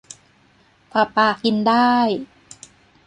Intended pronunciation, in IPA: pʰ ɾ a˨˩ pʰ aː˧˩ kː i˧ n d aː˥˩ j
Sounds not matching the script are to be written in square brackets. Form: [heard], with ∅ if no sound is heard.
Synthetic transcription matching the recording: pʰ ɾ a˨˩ [p] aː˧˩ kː i˧ n d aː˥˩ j